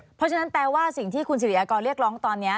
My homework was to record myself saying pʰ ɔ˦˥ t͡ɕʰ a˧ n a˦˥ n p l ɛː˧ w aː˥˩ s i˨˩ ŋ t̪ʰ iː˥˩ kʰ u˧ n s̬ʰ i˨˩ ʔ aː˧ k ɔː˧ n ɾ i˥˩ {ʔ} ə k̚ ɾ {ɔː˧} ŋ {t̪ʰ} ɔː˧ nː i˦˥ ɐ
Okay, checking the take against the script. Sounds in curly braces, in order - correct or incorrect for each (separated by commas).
incorrect, incorrect, incorrect